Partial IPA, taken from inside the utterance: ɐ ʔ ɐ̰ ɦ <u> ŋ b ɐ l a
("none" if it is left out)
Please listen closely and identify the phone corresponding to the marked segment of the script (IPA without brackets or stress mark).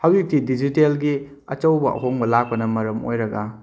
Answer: o